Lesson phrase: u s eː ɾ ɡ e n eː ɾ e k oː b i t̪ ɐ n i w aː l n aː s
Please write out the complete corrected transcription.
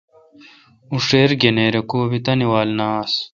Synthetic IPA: u ʂ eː ɾ ɡ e n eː ɾ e k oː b i t̪ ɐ n i w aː l n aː s